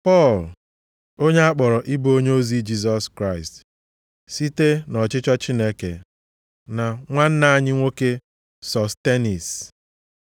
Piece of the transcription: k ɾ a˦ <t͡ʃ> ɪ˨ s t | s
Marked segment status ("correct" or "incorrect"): incorrect